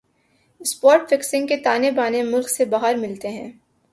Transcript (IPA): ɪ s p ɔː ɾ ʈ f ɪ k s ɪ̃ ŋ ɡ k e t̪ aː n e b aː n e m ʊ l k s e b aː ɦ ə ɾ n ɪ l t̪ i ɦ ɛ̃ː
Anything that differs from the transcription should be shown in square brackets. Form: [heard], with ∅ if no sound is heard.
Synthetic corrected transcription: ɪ s p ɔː ɾ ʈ f ɪ k s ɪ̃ ŋ ɡ k e t̪ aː n e b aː n e m ʊ l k s e b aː ɦ ə ɾ [m] ɪ l t̪ [e] ɦ ɛ̃ː